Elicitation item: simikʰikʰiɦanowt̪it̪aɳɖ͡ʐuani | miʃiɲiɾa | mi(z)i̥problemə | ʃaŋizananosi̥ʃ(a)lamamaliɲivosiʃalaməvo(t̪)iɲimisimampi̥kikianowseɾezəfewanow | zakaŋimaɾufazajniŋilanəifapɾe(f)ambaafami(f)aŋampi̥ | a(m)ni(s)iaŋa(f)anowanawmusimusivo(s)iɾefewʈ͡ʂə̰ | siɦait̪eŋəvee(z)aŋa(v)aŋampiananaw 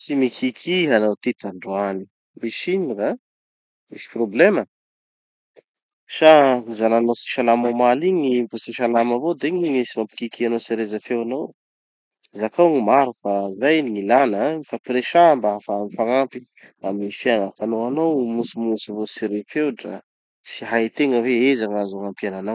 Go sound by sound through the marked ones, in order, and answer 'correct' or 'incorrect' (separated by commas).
incorrect, correct, incorrect, incorrect, correct, correct, incorrect, correct, correct, correct, incorrect